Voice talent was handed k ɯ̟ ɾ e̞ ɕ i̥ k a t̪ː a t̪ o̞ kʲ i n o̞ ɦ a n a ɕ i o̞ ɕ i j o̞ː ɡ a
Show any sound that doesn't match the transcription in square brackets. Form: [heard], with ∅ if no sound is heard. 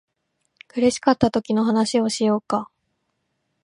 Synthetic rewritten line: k ɯ̟ ɾ e̞ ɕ i̥ k a t̪ː a t̪ o̞ kʲ i n o̞ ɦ a n a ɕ i o̞ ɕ i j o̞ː [k] a

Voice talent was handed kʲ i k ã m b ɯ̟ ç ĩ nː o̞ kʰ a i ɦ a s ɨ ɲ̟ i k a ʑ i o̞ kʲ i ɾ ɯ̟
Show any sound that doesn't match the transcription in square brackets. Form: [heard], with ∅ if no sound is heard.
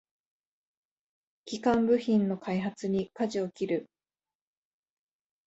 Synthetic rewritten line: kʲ i k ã m b ɯ̟ ç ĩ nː o̞ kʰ a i ɦ a [t͡s] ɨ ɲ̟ i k a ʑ i o̞ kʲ i ɾ ɯ̟

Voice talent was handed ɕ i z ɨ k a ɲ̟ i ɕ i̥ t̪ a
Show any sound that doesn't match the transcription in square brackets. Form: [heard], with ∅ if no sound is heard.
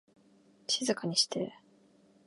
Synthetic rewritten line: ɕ i z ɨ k a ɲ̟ i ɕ i̥ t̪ [e]

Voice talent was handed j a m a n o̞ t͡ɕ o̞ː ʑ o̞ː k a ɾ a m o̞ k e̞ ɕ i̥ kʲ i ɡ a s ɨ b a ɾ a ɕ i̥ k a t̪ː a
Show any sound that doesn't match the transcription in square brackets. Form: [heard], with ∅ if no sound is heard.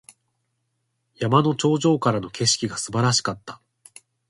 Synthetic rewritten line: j a m a n o̞ t͡ɕ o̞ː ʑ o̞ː k a ɾ a [n] o̞ k e̞ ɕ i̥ kʲ i ɡ a s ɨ b a ɾ a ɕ i̥ k a t̪ː a

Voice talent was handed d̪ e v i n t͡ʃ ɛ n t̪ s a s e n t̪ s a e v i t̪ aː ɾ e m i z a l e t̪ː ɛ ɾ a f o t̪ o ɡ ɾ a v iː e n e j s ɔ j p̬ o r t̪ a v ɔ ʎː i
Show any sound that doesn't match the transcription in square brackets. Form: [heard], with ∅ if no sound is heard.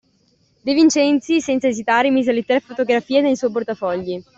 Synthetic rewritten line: d̪ e v i n t͡ʃ ɛ n t̪ s [i] s [ɛ] n t̪ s a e [z] i t̪ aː ɾ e m i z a l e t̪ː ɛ ɾ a f o t̪ o ɡ ɾ a [f] iː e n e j s ɔ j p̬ o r t̪ a [f] ɔ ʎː i

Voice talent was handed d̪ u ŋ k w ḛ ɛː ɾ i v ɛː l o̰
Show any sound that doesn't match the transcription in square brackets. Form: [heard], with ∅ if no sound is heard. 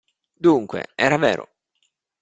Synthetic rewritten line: d̪ u ŋ k w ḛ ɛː ɾ [a] v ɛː [ɾ] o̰

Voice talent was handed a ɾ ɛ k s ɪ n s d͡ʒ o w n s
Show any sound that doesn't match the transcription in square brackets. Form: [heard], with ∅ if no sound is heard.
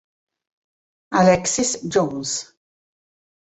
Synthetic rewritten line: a [l] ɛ k s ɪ [∅] s d͡ʒ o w n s

